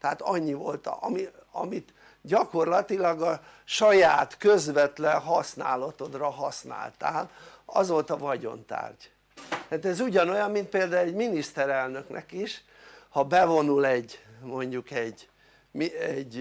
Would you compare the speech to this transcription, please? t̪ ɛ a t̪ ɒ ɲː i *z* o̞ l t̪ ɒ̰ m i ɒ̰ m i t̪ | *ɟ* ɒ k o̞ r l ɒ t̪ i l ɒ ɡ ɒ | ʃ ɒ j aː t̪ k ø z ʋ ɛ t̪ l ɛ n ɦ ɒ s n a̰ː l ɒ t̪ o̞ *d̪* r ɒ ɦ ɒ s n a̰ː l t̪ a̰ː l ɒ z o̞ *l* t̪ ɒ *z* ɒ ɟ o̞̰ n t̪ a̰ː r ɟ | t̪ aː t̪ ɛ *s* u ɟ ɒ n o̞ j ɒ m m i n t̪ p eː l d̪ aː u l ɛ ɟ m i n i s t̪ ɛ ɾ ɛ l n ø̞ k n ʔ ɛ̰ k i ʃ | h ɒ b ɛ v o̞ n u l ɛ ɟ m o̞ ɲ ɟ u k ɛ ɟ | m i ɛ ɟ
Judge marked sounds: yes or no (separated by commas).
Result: no, yes, yes, yes, no, no